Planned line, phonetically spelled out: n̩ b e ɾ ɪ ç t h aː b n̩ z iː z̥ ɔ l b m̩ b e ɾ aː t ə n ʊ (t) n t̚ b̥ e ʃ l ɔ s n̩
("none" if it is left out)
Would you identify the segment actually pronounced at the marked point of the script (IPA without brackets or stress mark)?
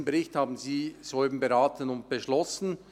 none